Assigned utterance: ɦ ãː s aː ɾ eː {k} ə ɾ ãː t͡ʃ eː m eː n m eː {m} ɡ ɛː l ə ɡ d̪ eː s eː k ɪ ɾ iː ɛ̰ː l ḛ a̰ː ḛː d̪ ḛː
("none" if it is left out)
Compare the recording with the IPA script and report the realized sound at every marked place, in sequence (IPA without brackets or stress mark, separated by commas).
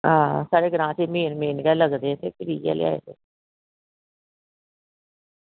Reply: ɡ, n